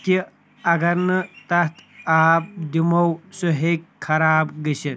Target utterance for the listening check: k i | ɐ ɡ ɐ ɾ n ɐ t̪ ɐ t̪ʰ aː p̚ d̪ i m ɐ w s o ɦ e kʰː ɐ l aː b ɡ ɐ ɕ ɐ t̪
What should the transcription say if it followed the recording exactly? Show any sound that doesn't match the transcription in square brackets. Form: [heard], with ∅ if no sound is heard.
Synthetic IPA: k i | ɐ ɡ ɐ ɾ n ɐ t̪ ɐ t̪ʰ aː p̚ d̪ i m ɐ w s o ɦ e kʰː ɐ [ɾ] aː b ɡ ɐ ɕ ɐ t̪